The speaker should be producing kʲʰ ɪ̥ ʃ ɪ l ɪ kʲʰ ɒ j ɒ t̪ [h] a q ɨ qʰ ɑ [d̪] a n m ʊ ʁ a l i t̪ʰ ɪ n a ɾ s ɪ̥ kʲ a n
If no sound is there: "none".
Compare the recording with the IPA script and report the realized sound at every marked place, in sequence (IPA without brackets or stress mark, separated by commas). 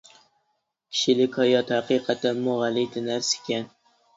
h, t̪